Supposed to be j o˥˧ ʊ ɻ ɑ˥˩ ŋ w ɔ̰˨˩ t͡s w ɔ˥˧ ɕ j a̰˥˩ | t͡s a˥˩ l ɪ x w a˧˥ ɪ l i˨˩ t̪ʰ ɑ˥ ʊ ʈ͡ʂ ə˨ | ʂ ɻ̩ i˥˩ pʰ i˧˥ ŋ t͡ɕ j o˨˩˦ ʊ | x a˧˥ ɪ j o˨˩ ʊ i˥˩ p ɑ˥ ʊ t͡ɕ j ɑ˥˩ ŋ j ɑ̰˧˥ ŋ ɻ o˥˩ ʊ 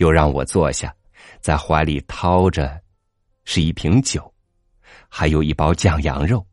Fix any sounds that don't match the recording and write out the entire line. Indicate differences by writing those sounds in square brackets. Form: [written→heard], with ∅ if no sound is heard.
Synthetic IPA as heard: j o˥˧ ʊ ɻ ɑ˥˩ ŋ w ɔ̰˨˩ t͡s w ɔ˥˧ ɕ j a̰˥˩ | t͡s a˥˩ [l→∅] ɪ x w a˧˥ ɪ l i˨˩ t̪ʰ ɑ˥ ʊ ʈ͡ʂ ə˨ | ʂ ɻ̩ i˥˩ pʰ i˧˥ ŋ t͡ɕ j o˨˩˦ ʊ | x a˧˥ ɪ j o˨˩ ʊ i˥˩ p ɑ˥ ʊ t͡ɕ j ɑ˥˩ ŋ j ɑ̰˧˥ ŋ ɻ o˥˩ ʊ